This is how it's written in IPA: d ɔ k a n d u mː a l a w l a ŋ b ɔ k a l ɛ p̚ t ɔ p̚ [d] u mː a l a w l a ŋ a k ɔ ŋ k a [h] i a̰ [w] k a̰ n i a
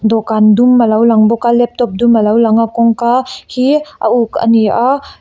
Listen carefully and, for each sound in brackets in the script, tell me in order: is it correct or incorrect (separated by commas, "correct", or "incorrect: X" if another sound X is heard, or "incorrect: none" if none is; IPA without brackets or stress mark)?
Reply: correct, correct, incorrect: u